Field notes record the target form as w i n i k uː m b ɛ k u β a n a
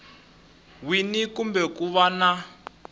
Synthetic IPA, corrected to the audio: w i n i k u m b ɛ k u β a n a